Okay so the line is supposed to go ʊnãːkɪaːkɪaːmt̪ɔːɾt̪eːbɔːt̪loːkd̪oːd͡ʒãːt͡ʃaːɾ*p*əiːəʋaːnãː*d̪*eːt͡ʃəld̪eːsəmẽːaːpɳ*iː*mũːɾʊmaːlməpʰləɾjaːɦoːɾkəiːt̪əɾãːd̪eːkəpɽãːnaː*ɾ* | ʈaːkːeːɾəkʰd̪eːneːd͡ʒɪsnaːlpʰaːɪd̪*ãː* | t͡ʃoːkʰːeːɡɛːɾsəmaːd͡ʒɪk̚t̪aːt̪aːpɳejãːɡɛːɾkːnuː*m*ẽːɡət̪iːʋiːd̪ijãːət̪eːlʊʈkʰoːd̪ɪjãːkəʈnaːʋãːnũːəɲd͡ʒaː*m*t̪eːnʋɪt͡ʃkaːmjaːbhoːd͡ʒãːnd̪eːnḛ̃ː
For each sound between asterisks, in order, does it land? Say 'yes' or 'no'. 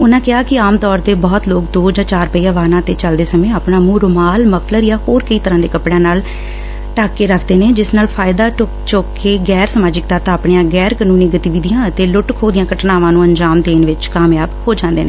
yes, no, no, no, no, no, yes

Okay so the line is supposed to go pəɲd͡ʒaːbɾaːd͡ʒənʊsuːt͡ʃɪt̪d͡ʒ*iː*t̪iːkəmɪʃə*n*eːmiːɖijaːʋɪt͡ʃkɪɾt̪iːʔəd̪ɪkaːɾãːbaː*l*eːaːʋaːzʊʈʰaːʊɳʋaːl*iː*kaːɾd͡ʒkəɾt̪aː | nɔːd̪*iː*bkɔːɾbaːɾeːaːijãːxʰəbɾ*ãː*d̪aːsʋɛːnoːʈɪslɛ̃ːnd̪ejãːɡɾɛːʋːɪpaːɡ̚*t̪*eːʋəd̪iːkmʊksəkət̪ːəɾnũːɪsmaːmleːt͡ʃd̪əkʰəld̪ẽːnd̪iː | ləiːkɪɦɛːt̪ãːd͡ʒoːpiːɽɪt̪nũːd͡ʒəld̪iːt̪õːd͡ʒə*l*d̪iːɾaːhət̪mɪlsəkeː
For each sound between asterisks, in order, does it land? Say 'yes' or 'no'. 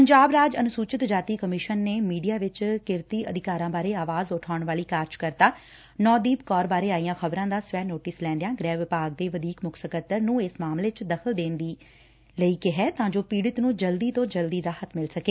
no, no, no, yes, yes, yes, no, yes

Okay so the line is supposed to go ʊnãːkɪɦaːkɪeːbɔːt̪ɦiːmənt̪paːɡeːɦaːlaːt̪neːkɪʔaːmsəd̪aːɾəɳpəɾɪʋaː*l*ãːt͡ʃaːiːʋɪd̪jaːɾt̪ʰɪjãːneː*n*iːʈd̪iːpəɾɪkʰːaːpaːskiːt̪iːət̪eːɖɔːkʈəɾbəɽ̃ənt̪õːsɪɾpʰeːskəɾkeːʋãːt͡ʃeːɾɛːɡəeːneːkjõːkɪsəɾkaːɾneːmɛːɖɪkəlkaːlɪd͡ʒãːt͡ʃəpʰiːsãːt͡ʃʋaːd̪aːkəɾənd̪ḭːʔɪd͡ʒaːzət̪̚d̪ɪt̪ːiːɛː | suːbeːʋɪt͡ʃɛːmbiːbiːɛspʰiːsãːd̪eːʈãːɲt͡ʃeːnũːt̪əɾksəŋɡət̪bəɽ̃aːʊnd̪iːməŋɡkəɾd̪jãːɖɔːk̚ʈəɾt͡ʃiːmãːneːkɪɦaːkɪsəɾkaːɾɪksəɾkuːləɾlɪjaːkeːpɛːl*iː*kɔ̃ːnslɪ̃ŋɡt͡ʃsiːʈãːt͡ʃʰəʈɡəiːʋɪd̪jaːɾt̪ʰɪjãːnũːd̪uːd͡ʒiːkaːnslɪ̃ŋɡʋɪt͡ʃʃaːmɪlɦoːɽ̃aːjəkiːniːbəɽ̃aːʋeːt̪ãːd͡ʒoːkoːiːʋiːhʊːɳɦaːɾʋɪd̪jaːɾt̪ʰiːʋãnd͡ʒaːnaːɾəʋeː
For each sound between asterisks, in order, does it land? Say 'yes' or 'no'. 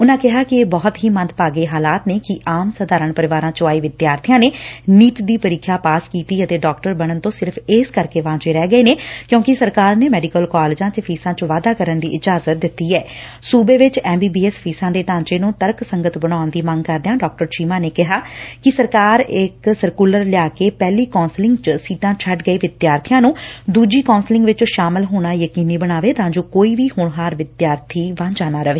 no, yes, yes

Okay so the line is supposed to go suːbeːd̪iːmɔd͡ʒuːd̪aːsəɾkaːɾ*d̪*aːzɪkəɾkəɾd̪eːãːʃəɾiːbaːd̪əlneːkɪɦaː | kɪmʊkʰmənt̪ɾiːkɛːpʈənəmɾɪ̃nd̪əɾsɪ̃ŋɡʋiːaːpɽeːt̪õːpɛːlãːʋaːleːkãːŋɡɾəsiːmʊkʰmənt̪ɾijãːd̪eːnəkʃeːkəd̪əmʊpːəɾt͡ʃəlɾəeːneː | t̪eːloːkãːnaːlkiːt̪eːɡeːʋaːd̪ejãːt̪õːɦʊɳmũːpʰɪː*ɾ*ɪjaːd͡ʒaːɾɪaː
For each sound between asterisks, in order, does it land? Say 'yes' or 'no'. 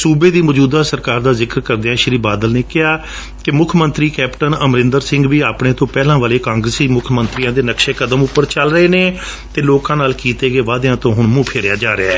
yes, yes

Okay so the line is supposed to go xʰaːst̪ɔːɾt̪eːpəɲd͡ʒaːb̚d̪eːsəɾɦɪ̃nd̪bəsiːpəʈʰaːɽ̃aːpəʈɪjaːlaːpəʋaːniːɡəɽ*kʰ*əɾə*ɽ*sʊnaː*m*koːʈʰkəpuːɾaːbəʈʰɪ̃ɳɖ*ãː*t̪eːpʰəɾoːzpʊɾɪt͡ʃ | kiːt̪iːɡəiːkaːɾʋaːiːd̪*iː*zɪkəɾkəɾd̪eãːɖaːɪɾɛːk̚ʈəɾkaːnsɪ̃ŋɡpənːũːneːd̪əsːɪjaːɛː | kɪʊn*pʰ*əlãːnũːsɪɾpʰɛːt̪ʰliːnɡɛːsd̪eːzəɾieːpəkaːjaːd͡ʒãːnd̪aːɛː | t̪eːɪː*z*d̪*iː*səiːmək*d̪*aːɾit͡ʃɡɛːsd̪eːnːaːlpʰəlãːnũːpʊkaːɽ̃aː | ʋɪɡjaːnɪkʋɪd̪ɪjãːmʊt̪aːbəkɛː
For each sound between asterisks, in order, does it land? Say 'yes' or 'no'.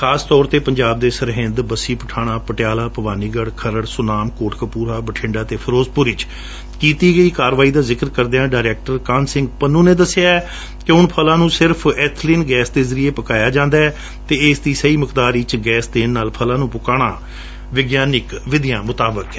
yes, yes, yes, no, no, yes, no, yes, yes

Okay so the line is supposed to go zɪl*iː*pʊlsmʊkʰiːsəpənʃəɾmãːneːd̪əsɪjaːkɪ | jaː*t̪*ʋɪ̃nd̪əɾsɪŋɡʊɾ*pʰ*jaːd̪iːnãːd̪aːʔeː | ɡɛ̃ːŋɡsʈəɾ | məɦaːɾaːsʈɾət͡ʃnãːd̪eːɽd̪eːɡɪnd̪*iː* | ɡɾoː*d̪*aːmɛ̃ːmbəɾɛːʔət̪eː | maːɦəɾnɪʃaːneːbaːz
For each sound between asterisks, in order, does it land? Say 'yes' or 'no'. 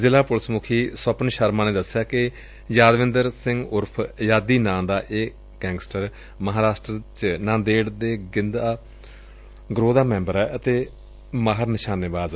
no, no, yes, no, yes

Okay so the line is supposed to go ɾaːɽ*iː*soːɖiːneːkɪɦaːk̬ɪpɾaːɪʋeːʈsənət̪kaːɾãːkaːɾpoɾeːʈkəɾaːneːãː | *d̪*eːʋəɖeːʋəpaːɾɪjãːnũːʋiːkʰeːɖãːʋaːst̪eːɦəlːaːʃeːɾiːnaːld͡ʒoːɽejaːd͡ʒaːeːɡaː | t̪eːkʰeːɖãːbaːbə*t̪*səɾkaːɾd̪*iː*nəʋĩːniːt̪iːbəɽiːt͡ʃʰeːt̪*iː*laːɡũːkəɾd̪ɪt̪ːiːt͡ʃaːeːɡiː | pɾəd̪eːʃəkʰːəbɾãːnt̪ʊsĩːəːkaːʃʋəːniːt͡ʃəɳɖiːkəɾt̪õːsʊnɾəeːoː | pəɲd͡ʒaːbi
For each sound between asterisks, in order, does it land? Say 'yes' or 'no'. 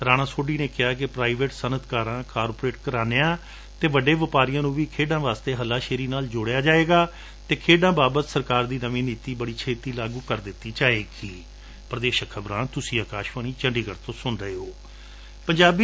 no, no, yes, yes, yes

